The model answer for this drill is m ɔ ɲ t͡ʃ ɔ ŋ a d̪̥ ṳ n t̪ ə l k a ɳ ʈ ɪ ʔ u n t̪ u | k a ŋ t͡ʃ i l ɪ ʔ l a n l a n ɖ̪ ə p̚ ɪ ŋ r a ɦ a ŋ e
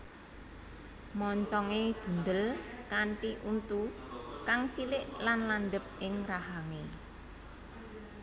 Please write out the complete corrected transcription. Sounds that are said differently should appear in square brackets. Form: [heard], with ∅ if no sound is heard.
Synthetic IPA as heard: m ɔ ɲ t͡ʃ ɔ ŋ [e] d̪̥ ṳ n [d̪] ə l k a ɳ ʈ [i] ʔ u n t̪ u | k a ŋ t͡ʃ i l ɪ ʔ l a n l a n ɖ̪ ə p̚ ɪ ŋ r a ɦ a ŋ e